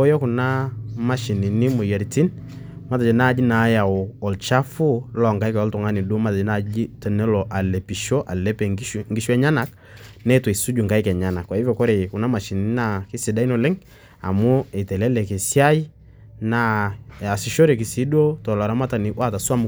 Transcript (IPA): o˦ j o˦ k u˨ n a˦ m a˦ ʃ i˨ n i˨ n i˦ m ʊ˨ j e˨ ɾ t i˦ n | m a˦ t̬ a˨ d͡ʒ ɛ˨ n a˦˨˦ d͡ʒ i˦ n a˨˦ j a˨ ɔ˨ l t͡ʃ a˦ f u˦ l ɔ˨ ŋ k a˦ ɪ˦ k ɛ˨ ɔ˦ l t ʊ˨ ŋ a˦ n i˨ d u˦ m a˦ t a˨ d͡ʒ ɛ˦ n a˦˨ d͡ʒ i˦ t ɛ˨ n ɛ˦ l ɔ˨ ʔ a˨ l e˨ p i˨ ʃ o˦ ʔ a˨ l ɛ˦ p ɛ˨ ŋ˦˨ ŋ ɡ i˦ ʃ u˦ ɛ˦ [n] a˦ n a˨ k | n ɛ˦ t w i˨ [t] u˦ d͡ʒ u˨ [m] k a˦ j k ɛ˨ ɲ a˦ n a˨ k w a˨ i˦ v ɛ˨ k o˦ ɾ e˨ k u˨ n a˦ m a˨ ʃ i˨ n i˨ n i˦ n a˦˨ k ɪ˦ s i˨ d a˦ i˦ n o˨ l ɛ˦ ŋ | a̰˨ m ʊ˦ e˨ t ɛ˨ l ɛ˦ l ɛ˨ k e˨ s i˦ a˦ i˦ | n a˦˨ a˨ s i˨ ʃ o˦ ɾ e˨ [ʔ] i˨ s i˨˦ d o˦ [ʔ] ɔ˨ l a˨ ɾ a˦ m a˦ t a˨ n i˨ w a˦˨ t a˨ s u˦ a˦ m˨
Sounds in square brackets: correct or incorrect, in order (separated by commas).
incorrect, incorrect, incorrect, incorrect, incorrect